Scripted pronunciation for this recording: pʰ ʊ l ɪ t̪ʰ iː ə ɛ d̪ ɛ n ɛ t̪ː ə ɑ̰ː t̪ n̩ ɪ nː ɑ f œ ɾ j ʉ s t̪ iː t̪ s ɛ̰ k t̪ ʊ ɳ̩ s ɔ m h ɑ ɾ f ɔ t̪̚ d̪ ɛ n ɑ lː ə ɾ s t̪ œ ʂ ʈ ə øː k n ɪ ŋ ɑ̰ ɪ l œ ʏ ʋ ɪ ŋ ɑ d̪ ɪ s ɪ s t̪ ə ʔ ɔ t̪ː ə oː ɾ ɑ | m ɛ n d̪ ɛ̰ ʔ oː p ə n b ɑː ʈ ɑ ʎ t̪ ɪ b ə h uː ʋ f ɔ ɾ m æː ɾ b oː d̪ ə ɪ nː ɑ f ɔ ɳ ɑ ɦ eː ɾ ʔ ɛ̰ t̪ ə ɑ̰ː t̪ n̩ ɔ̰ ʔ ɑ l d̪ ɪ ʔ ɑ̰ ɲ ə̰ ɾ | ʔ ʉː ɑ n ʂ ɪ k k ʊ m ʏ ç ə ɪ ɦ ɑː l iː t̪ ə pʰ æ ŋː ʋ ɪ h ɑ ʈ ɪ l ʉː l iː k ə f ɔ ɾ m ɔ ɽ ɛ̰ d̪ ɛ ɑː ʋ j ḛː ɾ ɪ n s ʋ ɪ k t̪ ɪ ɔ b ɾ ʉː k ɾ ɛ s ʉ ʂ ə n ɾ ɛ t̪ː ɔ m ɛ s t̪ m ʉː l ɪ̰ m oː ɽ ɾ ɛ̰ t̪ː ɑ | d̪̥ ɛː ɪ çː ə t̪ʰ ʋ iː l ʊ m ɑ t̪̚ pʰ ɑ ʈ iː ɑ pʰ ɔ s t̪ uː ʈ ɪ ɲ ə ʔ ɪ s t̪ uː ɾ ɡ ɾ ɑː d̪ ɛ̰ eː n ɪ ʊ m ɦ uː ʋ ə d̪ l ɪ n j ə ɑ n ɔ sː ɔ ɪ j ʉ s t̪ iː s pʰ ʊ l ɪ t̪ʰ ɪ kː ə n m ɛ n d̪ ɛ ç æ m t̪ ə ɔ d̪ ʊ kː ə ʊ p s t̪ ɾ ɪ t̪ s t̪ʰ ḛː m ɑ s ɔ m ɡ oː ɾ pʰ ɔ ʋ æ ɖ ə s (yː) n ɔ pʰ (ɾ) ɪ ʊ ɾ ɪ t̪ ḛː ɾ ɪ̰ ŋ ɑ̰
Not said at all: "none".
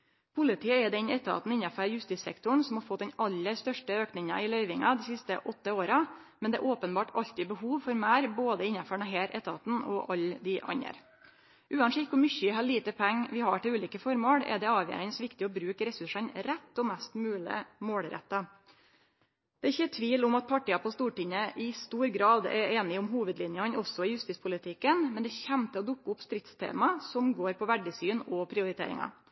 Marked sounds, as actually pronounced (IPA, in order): yː, ɾ

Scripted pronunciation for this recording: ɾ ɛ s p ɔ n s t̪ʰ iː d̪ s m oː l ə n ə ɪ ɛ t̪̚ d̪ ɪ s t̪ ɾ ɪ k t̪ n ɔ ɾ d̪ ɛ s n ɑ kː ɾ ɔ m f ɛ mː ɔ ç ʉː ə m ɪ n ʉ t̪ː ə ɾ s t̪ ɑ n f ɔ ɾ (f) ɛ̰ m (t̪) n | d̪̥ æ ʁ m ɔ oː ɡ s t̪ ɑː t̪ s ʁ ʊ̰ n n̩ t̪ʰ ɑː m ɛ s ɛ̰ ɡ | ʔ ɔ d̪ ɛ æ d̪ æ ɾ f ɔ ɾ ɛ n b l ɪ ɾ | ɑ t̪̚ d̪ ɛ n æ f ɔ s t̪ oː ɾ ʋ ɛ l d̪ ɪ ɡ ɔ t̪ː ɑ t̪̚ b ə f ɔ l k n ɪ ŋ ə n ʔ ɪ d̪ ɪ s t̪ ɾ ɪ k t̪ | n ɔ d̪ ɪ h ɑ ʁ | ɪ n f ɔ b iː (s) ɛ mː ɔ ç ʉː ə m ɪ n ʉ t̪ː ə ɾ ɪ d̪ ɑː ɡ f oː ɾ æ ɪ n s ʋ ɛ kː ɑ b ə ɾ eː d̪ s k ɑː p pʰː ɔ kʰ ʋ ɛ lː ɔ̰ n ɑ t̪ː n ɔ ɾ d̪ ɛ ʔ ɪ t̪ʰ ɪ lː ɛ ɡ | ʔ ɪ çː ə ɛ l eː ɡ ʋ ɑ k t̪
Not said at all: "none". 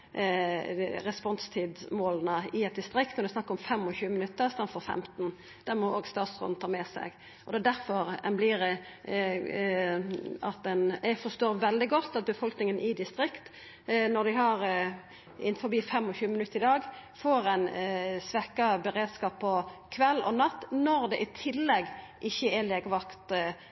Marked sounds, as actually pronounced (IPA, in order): f, t̪, f

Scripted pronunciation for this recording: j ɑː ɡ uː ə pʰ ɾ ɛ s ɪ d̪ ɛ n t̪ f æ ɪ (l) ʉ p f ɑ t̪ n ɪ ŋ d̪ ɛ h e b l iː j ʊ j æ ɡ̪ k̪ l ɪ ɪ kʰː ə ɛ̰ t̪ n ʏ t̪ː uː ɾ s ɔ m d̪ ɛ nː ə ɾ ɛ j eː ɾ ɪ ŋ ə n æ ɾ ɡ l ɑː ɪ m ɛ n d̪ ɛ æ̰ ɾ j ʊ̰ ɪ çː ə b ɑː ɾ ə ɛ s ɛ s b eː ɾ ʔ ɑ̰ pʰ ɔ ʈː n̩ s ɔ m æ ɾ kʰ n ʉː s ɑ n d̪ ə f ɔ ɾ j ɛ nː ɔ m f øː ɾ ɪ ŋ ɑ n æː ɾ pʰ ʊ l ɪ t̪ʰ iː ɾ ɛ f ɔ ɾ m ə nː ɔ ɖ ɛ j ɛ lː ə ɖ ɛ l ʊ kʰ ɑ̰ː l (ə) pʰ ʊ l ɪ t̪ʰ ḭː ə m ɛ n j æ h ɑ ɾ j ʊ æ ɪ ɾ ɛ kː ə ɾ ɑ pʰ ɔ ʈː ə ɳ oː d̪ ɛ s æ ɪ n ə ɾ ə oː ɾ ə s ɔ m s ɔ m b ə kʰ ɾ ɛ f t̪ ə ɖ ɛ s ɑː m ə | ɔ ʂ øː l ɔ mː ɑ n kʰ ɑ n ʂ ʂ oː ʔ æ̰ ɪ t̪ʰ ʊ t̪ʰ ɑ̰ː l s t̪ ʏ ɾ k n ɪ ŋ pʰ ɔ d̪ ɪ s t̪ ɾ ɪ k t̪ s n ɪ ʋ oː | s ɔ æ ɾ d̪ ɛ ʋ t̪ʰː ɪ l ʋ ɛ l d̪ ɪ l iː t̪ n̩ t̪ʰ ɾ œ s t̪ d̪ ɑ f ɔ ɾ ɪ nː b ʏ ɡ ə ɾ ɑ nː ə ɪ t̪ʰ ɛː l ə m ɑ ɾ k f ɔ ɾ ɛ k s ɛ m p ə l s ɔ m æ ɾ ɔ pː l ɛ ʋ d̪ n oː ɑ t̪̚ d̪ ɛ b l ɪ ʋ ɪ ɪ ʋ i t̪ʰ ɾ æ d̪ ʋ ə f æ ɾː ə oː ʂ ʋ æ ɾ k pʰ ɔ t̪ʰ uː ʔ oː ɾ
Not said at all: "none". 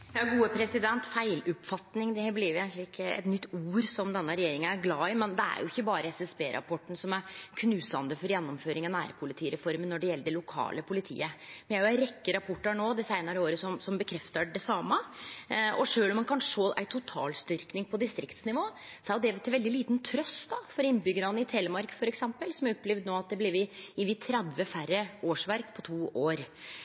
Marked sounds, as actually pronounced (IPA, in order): l, ə

